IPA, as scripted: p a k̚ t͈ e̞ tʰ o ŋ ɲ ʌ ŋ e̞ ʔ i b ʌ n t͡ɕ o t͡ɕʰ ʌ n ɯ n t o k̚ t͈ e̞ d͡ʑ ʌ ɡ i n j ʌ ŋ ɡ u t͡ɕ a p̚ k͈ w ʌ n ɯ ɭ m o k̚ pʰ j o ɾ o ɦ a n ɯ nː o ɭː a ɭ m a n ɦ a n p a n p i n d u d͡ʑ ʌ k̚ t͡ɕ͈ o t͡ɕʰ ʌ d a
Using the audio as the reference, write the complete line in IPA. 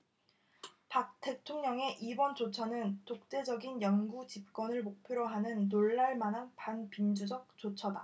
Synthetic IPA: p a k̚ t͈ e̞ tʰ o ŋ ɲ ʌ ŋ e̞ ʔ i b ʌ n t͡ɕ o t͡ɕʰ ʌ n ɯ n t o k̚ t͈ e̞ d͡ʑ ʌ ɡ i n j ʌ ŋ ɡ u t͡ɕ i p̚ k͈ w ʌ n ɯ ɭ m o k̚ pʰ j o ɾ o ɦ a n ɯ nː o ɭː a ɭ m a n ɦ a n p a n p i n d͡ʑ u d͡ʑ ʌ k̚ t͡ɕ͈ o t͡ɕʰ ʌ d a